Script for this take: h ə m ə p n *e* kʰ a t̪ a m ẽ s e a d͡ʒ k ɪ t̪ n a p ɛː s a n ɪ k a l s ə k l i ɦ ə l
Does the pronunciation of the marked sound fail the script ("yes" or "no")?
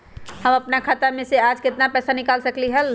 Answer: yes